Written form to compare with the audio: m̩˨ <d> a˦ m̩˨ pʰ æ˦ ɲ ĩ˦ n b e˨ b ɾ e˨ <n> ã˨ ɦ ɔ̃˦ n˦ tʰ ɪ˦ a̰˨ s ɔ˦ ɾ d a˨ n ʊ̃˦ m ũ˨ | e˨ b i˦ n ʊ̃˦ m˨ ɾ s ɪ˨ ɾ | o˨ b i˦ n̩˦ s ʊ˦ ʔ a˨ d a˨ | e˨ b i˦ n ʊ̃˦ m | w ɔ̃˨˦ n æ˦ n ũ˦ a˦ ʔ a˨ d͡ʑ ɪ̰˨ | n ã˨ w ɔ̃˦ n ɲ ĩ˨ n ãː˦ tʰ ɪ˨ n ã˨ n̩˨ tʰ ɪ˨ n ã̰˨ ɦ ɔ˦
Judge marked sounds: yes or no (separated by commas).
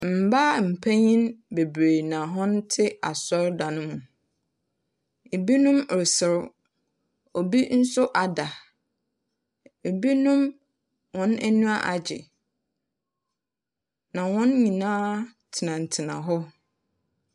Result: no, yes